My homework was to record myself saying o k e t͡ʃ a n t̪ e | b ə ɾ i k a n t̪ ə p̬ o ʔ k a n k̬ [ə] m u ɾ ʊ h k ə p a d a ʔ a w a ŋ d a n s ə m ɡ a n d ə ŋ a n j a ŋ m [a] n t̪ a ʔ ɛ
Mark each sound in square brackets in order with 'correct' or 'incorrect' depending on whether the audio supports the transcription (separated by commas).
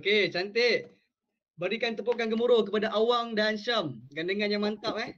correct, correct